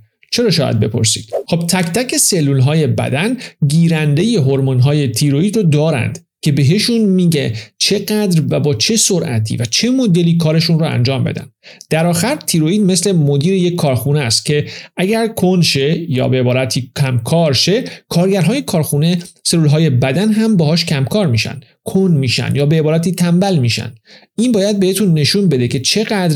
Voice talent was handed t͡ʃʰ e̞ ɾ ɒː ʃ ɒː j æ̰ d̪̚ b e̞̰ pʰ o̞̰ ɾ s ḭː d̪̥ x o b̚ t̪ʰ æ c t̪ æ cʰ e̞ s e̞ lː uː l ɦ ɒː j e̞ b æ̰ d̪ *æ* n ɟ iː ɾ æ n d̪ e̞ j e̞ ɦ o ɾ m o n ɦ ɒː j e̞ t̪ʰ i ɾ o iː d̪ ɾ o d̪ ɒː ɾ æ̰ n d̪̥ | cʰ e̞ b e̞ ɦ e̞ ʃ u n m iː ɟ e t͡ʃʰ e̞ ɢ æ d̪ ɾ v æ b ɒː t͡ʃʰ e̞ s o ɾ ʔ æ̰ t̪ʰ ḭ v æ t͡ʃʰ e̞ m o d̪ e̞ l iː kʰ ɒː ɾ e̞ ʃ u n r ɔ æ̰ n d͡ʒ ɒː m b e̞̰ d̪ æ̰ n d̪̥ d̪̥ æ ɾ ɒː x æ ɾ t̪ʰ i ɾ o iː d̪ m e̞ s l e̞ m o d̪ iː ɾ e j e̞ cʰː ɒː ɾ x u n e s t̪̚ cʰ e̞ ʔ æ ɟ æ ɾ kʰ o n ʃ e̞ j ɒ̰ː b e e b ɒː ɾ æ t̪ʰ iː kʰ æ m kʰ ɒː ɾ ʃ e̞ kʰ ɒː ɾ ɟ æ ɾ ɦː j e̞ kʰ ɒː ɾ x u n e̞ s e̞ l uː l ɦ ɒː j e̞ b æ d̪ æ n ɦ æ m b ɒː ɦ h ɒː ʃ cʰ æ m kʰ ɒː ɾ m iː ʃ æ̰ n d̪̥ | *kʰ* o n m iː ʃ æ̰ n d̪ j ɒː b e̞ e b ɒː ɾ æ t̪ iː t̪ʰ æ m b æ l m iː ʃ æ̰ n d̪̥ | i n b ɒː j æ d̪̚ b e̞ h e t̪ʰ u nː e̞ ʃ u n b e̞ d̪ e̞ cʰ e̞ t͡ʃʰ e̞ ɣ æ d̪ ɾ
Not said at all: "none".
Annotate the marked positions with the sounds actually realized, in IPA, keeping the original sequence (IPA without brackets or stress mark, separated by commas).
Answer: æ, kʰ